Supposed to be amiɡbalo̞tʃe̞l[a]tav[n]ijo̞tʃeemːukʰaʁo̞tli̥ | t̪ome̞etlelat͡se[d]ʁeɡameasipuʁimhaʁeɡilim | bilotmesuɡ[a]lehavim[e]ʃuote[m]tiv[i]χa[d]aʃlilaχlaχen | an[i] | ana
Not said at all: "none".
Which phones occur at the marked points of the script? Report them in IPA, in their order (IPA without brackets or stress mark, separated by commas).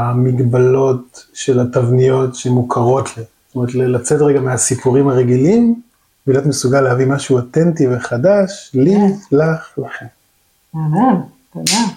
a, n, t, a, a, n, e, d, a